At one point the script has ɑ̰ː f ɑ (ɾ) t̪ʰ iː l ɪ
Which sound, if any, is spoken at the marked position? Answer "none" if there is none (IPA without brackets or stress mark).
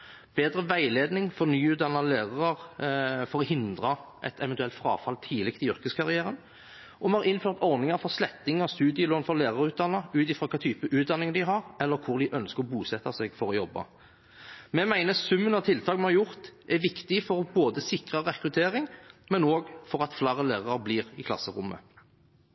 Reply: l